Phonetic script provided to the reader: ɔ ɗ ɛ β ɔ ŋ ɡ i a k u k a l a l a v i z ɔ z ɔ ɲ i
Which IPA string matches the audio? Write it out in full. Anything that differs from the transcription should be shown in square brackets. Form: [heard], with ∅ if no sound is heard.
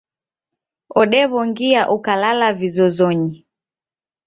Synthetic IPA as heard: ɔ ɗ ɛ β ɔ ŋ ɡ i a [ʔ] u k a l a l a v i z ɔ z ɔ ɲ i